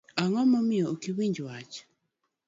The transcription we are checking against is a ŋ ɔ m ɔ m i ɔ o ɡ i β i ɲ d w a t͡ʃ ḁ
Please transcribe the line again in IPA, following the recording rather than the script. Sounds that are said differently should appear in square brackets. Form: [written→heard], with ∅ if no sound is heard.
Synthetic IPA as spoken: a ŋ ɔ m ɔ m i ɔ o [ɡ→k] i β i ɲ [d→d͡ʒ] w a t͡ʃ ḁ